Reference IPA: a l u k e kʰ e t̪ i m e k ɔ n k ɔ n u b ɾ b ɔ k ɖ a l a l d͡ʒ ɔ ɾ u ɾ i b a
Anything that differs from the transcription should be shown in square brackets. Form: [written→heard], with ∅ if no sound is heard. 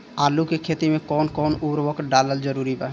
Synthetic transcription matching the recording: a l u k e kʰ e t̪ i m e k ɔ n k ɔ n u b ɾ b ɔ k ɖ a l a l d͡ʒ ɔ ɾ u ɾ i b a

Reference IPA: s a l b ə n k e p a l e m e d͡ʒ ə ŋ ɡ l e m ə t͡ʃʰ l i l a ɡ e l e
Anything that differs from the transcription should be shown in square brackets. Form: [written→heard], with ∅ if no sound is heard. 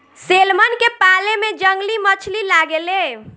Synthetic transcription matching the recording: s [a→e] l [b→m] ə n k e p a l e m e d͡ʒ ə ŋ ɡ l [e→i] m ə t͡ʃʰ l i l a ɡ e l e

